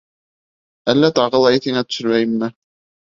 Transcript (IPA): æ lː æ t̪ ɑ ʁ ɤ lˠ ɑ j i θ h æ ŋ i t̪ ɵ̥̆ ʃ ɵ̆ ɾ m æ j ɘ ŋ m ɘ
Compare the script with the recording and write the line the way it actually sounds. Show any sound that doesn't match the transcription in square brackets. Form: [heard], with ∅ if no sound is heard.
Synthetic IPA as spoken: æ lː æ t̪ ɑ ʁ ɤ lˠ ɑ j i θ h [i] ŋ [æ] t̪ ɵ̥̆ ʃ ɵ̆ ɾ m æ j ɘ [m] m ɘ